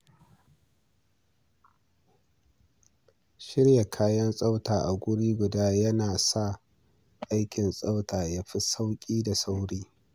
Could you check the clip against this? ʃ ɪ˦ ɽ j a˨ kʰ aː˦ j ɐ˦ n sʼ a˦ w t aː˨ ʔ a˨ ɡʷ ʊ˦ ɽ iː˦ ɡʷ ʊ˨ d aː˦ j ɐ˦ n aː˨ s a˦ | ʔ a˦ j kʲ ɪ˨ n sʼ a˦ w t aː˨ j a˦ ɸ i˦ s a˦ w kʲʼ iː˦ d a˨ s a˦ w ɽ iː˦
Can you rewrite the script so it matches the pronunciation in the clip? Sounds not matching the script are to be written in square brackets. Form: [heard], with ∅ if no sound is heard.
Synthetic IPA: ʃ ɪ˦ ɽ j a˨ kʰ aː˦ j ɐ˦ n sʼ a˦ w t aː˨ ʔ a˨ ɡʷ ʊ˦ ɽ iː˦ ɡʷ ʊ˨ d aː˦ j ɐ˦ n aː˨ s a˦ | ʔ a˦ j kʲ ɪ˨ n sʼ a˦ w t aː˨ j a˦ ɸ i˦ s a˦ w kʲʼ iː˦ d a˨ s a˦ w ɽ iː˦